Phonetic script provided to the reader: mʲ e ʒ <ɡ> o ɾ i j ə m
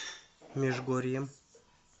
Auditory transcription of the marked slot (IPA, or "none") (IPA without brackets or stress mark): ɡ